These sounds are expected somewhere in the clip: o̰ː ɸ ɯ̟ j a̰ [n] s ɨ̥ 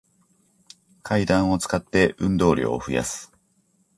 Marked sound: incorrect: none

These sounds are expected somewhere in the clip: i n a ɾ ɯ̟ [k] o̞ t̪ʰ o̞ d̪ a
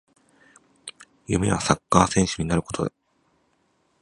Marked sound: correct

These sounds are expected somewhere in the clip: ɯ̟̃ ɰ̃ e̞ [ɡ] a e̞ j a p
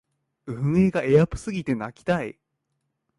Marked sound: correct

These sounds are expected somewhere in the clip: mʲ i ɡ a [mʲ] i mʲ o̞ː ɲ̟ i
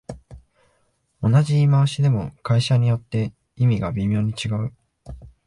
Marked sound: incorrect: bʲ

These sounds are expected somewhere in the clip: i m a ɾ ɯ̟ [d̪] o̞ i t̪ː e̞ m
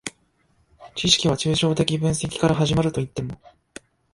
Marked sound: incorrect: t̪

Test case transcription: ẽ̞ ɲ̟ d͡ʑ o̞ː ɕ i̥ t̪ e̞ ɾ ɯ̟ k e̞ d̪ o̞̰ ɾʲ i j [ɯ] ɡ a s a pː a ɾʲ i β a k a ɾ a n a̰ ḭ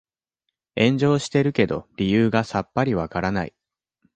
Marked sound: incorrect: ɯː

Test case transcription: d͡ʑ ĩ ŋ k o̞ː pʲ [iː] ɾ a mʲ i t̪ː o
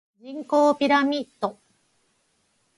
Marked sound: incorrect: i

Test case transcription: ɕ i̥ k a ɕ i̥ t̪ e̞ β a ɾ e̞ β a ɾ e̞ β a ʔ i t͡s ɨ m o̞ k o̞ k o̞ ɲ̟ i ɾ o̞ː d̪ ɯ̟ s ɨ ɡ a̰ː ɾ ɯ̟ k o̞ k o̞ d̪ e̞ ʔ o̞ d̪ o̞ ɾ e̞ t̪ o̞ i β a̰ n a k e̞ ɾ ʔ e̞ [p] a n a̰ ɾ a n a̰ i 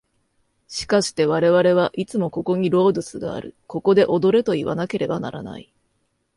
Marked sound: incorrect: b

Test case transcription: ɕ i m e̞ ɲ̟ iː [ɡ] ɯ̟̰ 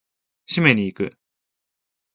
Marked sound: incorrect: k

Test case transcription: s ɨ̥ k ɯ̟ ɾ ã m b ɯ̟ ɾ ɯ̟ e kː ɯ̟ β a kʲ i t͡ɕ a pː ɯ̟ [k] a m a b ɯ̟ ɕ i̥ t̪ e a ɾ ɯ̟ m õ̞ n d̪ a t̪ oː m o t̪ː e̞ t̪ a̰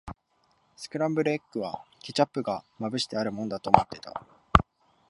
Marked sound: incorrect: ɡ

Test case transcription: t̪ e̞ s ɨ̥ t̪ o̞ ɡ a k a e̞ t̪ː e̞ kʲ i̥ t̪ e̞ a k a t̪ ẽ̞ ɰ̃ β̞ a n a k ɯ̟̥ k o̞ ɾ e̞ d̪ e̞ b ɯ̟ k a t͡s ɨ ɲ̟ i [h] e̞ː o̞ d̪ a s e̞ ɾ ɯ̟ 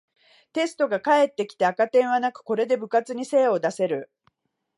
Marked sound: incorrect: s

